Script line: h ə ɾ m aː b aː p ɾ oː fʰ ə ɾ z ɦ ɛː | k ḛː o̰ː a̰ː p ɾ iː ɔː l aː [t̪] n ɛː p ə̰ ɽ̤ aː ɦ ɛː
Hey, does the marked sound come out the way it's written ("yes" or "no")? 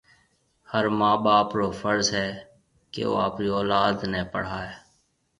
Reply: no